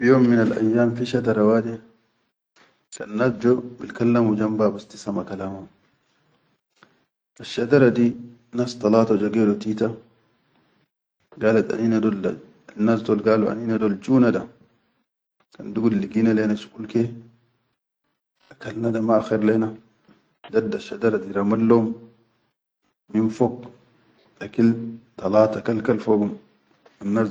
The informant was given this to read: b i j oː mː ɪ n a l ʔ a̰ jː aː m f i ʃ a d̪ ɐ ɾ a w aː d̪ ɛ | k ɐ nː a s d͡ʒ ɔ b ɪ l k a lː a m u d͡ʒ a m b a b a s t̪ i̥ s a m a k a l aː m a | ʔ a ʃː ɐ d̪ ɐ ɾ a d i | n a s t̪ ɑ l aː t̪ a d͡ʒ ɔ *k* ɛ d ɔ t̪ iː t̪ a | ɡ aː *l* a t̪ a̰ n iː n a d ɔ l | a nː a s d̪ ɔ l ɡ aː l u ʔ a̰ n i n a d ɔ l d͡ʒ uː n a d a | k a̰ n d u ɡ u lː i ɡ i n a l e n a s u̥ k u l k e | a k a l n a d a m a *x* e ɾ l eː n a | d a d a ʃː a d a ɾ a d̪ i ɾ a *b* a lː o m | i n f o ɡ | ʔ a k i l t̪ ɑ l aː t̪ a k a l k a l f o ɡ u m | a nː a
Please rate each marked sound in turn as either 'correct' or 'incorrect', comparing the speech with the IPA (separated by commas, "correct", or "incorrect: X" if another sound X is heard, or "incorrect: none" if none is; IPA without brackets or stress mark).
incorrect: ɡ, correct, correct, incorrect: m